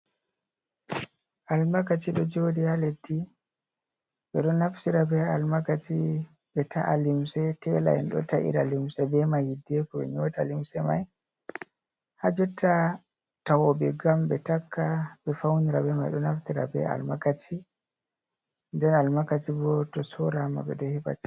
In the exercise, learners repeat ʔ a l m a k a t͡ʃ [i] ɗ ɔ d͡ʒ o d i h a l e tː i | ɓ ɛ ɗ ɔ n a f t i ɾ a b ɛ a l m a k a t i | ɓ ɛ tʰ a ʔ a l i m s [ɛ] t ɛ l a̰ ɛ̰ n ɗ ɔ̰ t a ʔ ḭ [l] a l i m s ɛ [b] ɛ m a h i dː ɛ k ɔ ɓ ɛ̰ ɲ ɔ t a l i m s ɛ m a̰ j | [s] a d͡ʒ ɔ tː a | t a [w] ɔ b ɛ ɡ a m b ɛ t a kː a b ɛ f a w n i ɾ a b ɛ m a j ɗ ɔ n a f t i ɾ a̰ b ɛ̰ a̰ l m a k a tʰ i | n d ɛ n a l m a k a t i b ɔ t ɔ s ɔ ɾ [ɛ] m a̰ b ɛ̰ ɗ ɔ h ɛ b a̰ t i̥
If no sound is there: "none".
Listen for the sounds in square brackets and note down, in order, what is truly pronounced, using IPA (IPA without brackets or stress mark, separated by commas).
i, ɛ, ɾ, b, h, w, a